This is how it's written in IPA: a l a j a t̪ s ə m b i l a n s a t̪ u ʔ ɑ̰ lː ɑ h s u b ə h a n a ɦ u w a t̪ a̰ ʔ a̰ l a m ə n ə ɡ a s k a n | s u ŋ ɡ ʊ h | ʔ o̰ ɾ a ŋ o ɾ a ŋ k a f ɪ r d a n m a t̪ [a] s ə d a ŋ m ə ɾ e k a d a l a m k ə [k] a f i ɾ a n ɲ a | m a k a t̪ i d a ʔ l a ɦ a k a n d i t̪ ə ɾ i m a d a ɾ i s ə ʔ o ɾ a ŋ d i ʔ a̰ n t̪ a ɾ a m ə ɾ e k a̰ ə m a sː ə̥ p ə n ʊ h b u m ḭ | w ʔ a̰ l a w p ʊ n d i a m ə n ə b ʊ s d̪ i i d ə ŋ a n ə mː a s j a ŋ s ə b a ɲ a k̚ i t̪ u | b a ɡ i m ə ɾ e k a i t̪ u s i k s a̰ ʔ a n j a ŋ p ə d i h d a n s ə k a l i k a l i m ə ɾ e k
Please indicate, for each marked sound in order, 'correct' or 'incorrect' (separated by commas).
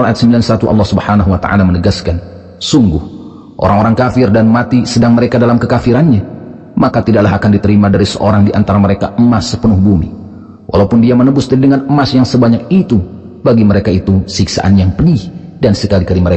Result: incorrect, correct